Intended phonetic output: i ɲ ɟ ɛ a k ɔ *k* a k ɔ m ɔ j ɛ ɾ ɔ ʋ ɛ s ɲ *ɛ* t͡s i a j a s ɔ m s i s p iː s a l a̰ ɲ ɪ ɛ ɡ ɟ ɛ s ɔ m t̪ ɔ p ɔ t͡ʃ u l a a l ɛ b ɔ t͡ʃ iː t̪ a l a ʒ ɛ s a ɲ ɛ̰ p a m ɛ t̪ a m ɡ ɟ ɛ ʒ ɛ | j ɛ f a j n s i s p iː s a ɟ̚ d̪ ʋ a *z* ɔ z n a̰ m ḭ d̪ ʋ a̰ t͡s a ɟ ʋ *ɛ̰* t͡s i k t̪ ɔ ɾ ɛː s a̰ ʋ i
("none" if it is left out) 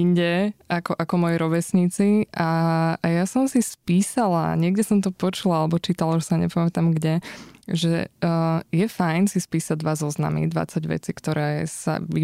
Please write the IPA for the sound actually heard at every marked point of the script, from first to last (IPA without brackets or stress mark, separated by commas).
ʔ, i, z, ɛ̰